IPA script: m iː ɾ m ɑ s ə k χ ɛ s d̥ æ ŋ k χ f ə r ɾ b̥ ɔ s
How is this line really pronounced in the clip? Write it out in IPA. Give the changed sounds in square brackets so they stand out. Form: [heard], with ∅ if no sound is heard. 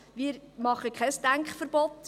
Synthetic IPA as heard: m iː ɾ m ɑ [χ] ə k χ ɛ s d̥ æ ŋ k χ f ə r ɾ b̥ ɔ [t]